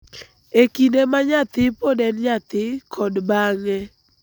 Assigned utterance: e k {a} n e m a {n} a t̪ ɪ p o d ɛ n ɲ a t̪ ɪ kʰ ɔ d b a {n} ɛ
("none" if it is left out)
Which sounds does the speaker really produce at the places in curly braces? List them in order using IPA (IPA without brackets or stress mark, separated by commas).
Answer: i, ɲ, ŋ